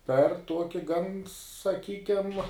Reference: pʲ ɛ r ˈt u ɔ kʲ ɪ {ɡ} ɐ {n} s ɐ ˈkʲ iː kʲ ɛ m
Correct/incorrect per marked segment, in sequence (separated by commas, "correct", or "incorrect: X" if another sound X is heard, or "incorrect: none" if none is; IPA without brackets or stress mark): correct, correct